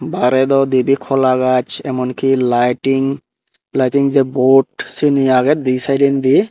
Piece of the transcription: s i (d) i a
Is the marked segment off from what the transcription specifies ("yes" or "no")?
yes